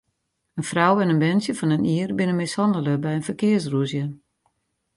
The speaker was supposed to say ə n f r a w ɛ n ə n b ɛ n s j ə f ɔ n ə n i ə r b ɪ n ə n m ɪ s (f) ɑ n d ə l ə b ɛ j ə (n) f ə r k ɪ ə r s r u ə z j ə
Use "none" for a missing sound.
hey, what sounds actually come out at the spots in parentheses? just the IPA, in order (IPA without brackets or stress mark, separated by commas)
h, n